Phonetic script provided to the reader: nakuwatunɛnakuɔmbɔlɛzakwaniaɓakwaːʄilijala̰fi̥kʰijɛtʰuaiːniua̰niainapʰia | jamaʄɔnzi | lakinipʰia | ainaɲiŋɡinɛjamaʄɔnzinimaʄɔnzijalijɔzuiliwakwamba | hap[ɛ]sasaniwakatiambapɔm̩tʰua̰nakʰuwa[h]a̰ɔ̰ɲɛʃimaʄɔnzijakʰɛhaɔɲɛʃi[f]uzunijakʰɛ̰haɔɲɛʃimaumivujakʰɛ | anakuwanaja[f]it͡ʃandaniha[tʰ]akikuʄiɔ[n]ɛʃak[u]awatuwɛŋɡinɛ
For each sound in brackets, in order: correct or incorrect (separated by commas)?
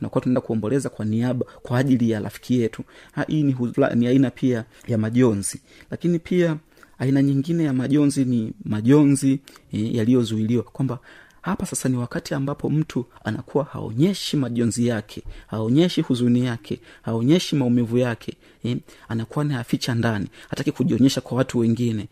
incorrect, correct, incorrect, correct, incorrect, incorrect, incorrect